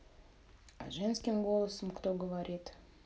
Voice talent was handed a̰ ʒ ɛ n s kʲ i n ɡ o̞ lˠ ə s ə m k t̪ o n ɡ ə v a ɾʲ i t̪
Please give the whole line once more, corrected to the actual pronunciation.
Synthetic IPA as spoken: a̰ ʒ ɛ n s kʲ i m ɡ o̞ lˠ ə s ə m k t̪ o ɡ ə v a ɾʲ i t̪